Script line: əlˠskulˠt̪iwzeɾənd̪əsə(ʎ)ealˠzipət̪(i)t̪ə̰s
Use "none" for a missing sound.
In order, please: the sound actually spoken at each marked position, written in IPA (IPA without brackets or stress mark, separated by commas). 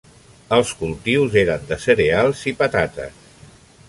ɾ, a